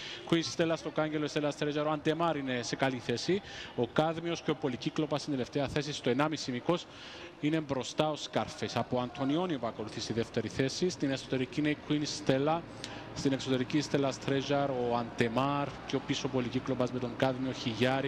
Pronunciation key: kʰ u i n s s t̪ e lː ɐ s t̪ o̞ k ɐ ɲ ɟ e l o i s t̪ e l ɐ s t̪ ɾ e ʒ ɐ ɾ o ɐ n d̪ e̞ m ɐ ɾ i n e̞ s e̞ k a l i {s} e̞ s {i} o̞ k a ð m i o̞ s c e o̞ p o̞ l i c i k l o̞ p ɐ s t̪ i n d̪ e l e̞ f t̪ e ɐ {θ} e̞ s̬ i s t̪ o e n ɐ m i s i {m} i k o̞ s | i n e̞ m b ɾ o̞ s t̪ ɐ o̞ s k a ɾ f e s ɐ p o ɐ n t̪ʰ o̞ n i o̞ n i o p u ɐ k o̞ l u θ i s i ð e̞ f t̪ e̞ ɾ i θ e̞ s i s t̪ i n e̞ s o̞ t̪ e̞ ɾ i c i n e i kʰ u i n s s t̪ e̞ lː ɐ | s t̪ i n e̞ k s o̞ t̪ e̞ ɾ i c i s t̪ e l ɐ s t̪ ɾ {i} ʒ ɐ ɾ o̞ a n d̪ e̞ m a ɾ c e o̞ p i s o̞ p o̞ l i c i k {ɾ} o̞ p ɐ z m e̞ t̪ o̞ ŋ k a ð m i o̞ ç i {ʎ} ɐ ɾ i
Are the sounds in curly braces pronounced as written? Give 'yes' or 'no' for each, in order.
no, yes, yes, yes, no, no, no

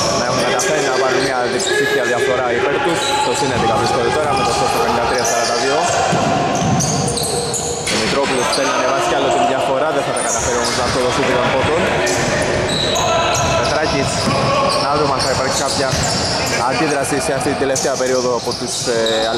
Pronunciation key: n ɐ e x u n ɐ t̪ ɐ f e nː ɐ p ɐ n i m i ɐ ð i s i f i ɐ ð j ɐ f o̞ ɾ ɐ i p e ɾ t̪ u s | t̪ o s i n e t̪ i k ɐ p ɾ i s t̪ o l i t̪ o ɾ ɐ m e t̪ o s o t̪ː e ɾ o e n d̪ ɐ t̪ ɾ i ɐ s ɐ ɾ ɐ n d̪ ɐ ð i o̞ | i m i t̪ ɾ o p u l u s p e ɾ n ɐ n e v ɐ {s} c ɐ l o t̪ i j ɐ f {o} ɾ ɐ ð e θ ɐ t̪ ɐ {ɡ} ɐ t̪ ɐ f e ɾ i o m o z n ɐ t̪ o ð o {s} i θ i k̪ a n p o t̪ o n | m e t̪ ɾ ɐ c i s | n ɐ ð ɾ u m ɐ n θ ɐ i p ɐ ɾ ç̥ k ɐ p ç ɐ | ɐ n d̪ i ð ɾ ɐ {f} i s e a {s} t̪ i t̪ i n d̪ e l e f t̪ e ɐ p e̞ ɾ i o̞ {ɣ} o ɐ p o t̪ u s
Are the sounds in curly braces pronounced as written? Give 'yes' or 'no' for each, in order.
yes, yes, no, yes, no, no, no

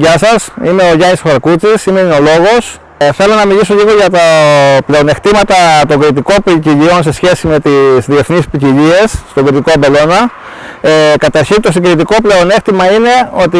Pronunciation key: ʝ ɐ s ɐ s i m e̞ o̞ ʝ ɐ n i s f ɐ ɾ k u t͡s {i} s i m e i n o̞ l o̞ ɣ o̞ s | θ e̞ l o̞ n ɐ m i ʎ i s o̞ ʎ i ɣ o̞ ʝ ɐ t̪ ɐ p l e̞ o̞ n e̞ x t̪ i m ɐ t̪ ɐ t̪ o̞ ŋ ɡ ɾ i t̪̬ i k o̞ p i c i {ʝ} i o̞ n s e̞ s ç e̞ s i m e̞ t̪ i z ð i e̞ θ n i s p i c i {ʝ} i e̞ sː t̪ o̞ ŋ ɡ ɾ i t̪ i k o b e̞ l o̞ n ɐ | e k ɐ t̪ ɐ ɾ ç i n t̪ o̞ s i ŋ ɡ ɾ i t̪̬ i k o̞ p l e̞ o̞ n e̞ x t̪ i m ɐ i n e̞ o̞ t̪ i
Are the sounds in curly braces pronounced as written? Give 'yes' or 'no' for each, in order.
yes, no, no

